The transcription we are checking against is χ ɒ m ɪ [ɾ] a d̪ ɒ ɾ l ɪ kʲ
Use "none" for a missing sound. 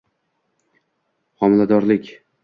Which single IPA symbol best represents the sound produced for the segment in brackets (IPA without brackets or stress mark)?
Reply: l